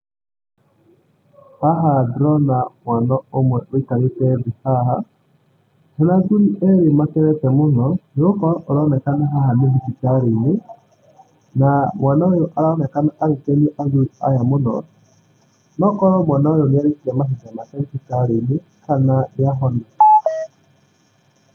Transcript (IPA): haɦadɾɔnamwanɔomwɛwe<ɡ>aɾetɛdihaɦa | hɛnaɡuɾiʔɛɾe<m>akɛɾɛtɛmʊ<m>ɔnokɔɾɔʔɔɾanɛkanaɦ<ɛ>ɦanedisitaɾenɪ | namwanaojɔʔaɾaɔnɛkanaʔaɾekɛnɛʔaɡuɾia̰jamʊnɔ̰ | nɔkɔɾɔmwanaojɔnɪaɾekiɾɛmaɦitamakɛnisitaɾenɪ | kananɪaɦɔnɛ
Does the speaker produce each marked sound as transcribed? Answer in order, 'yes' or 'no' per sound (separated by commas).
no, yes, no, no